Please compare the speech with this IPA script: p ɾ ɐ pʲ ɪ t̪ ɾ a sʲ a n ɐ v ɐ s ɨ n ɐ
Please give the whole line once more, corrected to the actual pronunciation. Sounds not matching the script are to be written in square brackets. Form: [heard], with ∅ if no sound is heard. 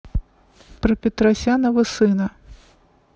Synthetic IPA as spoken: p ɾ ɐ pʲ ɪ t̪ ɾ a sʲ a n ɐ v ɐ s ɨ n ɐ